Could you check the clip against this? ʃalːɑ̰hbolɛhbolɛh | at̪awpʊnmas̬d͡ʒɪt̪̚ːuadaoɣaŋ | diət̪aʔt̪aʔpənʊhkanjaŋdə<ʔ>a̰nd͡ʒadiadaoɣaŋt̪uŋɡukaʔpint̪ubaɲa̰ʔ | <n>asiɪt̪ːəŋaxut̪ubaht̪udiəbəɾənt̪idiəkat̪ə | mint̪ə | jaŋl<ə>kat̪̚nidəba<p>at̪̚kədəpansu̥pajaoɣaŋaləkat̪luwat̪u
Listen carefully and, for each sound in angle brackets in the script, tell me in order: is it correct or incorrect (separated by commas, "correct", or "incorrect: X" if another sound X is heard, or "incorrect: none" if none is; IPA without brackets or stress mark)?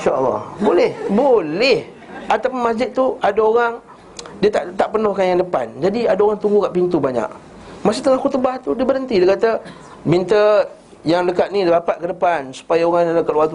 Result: incorrect: p, incorrect: m, correct, correct